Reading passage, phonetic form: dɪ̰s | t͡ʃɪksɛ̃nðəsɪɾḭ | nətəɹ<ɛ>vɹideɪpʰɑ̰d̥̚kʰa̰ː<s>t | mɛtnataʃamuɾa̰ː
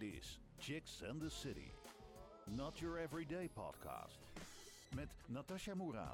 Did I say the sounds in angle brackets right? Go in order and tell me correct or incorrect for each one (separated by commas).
correct, correct